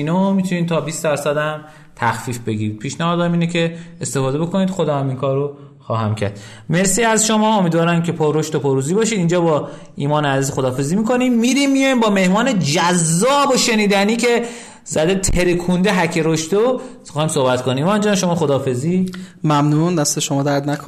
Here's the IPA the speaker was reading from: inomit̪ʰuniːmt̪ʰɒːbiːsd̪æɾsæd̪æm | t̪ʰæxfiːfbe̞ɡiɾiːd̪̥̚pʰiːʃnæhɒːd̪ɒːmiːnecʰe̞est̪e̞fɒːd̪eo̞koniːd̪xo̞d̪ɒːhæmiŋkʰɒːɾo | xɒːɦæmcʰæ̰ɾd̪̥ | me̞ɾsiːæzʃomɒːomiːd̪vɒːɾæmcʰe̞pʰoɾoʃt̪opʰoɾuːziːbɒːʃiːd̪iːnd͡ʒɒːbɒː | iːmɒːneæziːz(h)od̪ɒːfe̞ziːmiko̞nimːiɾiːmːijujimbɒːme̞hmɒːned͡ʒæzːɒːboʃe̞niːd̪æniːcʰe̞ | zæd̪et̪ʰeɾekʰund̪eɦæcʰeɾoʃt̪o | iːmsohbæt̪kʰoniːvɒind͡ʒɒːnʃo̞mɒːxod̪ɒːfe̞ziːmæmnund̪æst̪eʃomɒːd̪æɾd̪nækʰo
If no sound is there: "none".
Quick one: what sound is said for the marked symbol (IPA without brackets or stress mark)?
x